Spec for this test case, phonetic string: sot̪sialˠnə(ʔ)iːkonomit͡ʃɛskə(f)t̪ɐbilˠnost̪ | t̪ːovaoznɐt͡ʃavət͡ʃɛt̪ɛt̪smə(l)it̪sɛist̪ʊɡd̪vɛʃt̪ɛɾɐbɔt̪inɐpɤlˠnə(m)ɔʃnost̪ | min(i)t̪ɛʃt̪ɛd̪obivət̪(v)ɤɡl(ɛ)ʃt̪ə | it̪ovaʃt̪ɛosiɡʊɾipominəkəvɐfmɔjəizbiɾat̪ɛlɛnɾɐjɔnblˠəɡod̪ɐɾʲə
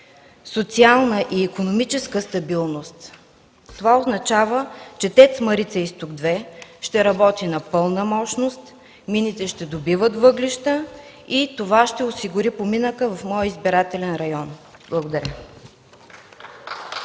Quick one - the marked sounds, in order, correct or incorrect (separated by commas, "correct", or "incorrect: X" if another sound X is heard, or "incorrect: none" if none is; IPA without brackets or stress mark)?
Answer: correct, incorrect: s, incorrect: ɾ, correct, correct, correct, incorrect: i